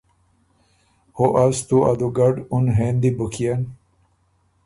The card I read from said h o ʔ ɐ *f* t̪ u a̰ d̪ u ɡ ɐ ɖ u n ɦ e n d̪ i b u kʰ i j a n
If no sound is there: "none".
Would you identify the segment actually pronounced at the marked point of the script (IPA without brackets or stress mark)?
s